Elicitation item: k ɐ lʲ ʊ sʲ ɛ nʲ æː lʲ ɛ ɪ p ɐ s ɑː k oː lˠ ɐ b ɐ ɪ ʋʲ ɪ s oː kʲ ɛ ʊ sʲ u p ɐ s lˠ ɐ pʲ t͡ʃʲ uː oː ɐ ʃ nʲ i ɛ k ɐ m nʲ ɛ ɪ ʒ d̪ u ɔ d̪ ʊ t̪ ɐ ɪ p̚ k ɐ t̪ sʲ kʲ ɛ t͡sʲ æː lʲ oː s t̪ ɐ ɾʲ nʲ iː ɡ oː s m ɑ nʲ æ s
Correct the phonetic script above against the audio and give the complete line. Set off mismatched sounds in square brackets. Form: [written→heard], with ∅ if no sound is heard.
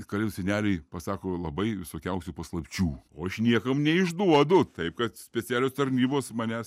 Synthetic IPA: k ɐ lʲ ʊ sʲ ɛ nʲ æː lʲ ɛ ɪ p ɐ s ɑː k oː lˠ ɐ b ɐ ɪ ʋʲ ɪ s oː kʲ ɛ ʊ sʲ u p ɐ s lˠ ɐ pʲ t͡ʃʲ uː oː ɐ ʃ nʲ i ɛ k ɐ m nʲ ɛ ɪ ʒ d̪ u ɔ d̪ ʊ t̪ ɐ ɪ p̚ k ɐ t̪ sʲ [kʲ→pʲ] ɛ t͡sʲ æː lʲ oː s t̪ ɐ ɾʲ nʲ iː [ɡ→b] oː s m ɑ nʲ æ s